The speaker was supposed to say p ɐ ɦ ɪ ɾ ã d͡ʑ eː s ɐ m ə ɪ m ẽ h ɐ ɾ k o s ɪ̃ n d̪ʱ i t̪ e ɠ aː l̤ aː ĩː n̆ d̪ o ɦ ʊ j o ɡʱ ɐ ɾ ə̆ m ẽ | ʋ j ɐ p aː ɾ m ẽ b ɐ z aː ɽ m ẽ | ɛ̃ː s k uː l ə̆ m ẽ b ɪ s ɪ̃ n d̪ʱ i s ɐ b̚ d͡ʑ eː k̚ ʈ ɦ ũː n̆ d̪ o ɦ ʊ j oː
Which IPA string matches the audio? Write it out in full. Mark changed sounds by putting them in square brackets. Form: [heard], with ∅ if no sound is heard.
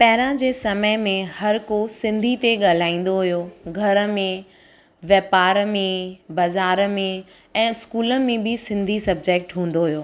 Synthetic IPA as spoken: p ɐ ɦ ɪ ɾ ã d͡ʑ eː s ɐ m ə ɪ m ẽ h ɐ ɾ k o s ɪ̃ n d̪ʱ i t̪ e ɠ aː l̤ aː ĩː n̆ d̪ o ɦ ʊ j o ɡʱ ɐ ɾ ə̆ m ẽ | ʋ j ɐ p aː ɾ m ẽ b ɐ z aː [ɾ] m ẽ | ɛ̃ː s k uː l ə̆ m ẽ b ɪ s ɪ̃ n d̪ʱ i s ɐ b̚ d͡ʑ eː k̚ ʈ ɦ ũː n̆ d̪ o ɦ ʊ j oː